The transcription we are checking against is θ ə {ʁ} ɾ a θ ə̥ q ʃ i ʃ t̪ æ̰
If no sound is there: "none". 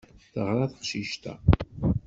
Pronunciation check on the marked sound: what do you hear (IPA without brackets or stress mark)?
ʁ